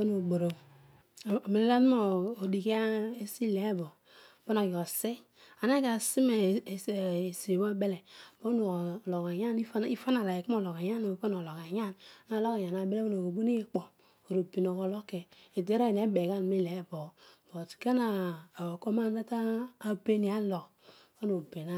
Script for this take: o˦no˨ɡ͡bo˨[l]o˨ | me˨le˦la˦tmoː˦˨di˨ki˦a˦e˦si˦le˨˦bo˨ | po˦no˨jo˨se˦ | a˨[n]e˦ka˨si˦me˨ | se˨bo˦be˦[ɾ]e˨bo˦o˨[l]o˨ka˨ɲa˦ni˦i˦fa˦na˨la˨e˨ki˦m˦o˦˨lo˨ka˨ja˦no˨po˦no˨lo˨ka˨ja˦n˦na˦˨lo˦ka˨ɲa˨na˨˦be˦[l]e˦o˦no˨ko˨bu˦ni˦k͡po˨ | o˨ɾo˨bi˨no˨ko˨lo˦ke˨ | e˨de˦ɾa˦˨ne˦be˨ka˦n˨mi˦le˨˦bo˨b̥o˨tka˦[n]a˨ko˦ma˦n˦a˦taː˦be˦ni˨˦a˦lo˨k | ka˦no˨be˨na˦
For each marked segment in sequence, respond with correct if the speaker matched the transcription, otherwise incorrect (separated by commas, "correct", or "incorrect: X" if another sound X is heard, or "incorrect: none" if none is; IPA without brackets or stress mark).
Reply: incorrect: ɾ, correct, incorrect: l, correct, correct, correct